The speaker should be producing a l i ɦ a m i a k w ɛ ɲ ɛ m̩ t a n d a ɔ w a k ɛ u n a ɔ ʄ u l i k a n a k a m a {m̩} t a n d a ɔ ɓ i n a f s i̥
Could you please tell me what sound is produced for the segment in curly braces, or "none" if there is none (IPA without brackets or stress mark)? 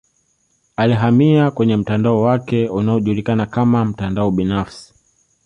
m̩